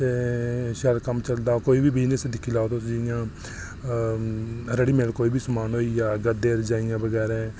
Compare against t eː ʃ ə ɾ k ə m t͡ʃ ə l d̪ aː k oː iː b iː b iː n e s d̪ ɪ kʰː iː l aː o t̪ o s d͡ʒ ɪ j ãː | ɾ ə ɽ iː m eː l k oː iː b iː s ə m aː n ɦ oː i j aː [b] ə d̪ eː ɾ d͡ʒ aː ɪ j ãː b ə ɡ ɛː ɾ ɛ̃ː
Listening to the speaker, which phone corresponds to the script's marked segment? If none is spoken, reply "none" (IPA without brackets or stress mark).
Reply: ɡ